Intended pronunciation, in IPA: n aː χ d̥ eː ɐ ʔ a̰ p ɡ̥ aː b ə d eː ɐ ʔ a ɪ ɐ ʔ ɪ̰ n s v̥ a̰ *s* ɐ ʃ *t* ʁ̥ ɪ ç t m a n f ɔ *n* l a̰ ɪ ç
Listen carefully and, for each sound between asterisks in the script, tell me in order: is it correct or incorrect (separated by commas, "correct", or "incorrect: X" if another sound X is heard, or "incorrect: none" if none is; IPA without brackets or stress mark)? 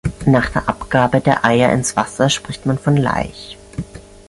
correct, incorrect: p, correct